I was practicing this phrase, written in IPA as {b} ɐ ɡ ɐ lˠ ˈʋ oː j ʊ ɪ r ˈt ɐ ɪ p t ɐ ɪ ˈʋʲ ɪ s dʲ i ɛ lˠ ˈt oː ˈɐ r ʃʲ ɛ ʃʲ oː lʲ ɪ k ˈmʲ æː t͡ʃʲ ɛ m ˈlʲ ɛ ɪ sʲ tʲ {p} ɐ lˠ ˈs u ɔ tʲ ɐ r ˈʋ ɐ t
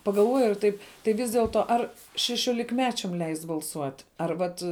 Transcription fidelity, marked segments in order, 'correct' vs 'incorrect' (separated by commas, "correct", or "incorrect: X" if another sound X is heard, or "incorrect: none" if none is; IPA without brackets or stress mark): incorrect: p, incorrect: b